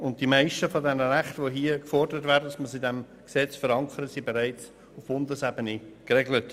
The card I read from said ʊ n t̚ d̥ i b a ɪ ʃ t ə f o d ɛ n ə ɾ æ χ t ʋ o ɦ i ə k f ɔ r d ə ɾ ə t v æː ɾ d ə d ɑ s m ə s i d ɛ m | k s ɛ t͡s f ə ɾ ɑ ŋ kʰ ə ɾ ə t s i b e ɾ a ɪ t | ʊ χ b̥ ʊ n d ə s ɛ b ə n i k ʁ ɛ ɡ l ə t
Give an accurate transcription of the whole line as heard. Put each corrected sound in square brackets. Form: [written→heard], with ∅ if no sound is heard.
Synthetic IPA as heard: ʊ n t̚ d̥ i [b→m] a ɪ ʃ t ə f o d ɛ n ə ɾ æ χ t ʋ o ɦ i ə k f ɔ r d ə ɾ ə t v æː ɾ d ə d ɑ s m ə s i d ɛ m | k s ɛ t͡s f ə ɾ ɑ ŋ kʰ ə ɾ ə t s i b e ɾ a ɪ [t→t͡s] | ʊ [χ→f] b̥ ʊ n d ə s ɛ b ə n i k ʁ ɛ ɡ l ə t